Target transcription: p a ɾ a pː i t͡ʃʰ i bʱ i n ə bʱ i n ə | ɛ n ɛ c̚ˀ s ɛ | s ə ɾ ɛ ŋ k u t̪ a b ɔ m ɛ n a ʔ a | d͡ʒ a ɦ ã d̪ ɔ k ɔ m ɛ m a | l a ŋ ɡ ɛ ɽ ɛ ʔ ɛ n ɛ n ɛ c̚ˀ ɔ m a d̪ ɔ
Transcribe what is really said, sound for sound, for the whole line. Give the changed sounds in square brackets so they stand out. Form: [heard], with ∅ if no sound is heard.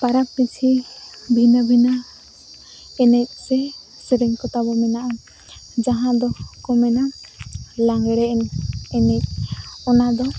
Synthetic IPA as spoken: p a ɾ a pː i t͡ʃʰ i bʱ i n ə bʱ i n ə | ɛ n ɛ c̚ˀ s ɛ | s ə ɾ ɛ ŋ k [ɔ] t̪ a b ɔ m ɛ n a ʔ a | d͡ʒ a ɦ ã d̪ ɔ k ɔ m ɛ [n] a | l a ŋ ɡ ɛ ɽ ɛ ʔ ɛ n ɛ n ɛ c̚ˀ ɔ [n] a d̪ ɔ